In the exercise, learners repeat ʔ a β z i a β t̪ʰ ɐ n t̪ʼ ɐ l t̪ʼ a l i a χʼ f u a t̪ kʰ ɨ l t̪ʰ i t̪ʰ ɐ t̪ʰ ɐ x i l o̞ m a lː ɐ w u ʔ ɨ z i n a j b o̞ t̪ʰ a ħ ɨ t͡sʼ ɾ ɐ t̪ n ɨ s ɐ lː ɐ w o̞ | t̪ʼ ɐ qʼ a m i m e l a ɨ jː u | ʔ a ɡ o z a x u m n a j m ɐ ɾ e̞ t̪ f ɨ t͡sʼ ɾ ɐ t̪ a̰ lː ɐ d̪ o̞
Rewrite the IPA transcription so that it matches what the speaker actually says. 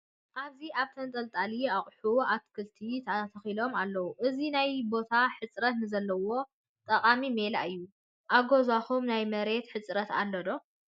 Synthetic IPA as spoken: ʔ a β z i a β t̪ʰ ɐ n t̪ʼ ɐ l t̪ʼ a l i a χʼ ħ u a t̪ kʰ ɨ l t̪ʰ i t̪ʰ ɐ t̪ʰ ɐ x i l o̞ m a lː ɐ w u ʔ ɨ z i n a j b o̞ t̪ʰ a ħ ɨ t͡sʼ ɾ ɐ t̪ n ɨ z ɐ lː ɐ w o̞ | t̪ʼ ɐ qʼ a m i m e l a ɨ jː u | ʔ a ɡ o z a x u m n a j m ɐ ɾ e̞ t̪ ħ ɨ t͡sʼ ɾ ɐ t̪ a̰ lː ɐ d̪ o̞